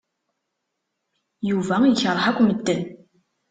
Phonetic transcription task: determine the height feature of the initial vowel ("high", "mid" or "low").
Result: high